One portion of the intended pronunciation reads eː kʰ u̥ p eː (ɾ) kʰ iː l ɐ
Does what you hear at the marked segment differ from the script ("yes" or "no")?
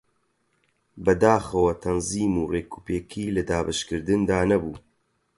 yes